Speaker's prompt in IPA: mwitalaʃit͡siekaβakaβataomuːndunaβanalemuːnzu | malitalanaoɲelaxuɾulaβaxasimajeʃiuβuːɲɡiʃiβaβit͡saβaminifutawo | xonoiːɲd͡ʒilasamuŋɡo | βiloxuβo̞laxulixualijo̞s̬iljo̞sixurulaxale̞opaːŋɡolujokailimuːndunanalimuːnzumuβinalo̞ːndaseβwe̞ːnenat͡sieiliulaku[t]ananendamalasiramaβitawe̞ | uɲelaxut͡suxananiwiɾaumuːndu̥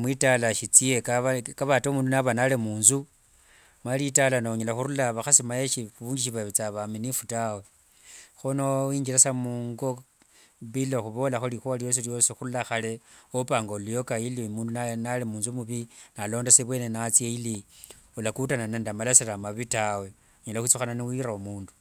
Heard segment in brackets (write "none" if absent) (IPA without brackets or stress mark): t